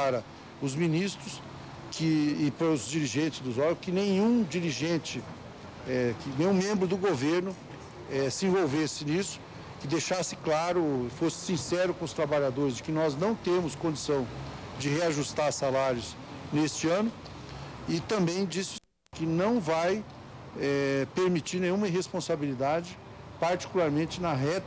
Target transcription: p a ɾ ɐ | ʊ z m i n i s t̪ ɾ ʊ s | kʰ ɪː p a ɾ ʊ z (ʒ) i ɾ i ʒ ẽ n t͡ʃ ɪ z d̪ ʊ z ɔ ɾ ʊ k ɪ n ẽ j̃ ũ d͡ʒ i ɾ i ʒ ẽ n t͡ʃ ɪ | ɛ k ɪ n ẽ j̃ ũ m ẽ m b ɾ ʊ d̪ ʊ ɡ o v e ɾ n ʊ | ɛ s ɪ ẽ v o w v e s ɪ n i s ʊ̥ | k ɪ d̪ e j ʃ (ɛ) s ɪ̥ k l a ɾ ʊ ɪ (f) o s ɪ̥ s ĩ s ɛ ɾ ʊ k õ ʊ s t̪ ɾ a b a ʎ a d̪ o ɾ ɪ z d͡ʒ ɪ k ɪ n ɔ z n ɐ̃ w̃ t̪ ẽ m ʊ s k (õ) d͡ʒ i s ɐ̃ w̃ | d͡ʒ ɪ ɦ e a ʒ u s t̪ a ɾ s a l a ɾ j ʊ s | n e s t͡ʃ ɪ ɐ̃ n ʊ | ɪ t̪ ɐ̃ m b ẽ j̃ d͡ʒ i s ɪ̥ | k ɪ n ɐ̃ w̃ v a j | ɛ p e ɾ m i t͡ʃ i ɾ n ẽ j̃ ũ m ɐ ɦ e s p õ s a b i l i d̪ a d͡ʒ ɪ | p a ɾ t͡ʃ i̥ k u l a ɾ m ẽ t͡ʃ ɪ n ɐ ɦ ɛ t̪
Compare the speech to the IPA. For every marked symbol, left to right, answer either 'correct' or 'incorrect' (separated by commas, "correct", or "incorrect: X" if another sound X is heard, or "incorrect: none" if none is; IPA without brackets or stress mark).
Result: incorrect: d͡ʒ, incorrect: a, correct, correct